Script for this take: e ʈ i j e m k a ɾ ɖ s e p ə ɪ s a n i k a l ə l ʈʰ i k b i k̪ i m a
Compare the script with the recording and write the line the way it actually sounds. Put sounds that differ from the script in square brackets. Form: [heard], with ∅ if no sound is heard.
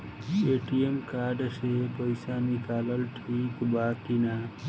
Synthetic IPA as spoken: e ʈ i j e m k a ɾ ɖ s e p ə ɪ s a n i k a l ə l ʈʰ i k b [a] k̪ i [n] a